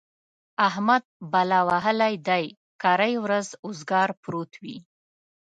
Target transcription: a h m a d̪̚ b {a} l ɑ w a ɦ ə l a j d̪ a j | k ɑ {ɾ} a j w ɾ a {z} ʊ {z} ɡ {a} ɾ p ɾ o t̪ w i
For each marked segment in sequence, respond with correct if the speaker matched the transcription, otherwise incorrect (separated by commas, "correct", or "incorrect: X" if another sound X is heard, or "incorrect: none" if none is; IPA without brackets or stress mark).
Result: correct, correct, correct, correct, incorrect: ɑ